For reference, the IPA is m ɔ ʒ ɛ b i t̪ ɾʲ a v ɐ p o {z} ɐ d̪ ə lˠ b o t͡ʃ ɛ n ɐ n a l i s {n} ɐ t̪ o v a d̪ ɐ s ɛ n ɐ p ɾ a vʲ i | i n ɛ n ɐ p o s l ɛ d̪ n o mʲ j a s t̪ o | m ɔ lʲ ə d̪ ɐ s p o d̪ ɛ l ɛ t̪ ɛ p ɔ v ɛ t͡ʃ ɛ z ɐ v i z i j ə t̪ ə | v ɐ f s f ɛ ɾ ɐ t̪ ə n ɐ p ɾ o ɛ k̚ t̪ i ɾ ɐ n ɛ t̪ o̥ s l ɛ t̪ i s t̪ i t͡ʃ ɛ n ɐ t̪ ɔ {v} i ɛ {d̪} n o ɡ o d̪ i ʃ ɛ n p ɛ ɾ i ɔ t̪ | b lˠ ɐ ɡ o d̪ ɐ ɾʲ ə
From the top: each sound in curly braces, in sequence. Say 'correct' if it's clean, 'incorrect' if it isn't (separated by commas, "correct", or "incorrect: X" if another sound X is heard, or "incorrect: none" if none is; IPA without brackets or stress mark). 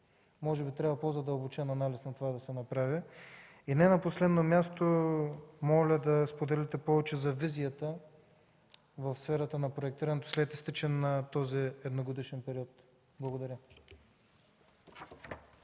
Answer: correct, correct, incorrect: z, correct